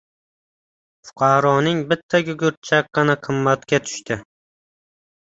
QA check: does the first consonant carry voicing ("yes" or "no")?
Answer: no